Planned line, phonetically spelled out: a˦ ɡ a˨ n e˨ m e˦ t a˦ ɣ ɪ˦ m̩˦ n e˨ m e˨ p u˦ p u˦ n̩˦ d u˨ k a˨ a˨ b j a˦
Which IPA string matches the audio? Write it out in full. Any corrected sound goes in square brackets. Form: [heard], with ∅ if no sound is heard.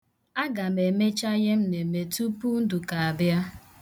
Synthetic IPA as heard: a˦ ɡ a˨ [m] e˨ m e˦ [t͡ʃ] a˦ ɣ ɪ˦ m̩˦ n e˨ m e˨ [t] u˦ p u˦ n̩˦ d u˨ k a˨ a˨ b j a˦